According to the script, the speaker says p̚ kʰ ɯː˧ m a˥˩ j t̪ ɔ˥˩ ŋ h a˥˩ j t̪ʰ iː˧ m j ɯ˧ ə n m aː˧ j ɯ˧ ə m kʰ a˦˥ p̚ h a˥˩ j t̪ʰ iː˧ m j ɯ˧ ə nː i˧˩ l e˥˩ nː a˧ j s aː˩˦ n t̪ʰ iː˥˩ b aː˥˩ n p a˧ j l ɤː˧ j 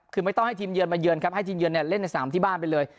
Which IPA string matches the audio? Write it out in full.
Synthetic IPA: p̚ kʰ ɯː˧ m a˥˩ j t̪ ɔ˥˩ ŋ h a˥˩ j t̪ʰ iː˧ m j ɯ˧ ə n m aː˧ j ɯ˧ ə n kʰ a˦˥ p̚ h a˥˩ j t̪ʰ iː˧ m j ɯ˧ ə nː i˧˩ l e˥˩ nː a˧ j s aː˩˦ m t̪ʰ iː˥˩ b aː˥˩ n p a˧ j l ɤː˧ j

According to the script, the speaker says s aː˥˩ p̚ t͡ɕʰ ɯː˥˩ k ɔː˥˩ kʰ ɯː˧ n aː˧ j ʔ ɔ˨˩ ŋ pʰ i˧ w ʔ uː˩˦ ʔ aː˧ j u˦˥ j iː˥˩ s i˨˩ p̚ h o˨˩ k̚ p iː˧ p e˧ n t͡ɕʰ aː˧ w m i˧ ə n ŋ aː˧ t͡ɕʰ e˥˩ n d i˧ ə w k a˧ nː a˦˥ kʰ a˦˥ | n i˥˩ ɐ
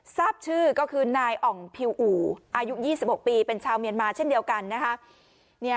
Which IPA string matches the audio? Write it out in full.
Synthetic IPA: s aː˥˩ p̚ t͡ɕʰ ɯː˥˩ k ɔː˥˩ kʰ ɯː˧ n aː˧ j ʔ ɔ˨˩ ŋ pʰ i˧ w ʔ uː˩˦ ʔ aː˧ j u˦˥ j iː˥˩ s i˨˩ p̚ h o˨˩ k̚ p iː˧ p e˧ n t͡ɕʰ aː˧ w m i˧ ə n m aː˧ t͡ɕʰ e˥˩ n d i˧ ə w k a˧ nː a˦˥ kʰ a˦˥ | n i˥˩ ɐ

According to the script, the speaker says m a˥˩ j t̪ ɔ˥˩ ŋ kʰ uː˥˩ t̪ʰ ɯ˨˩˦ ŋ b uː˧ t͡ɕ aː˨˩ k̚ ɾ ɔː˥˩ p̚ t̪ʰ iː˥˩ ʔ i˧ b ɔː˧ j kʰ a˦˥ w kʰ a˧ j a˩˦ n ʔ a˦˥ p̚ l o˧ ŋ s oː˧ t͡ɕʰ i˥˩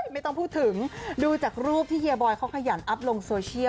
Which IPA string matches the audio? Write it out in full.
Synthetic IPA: m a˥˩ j t̪ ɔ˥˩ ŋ pʰ uː˥˩ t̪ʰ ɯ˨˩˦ ŋ d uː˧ t͡ɕ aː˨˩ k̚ ɾ uː˥˩ p̚ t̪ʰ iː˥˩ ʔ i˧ b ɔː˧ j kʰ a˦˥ w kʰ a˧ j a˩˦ n ʔ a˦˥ p̚ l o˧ ŋ s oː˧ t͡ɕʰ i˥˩

